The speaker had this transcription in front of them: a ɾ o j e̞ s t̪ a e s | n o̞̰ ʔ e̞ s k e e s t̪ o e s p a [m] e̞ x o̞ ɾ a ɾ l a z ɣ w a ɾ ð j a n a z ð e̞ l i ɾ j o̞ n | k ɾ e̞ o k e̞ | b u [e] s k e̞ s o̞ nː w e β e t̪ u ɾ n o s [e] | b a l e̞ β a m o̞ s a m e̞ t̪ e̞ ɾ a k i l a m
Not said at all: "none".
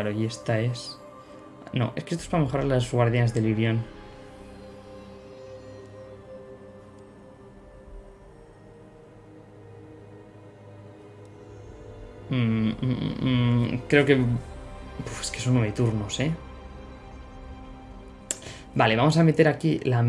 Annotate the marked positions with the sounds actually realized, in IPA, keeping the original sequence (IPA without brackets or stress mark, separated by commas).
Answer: m, e, e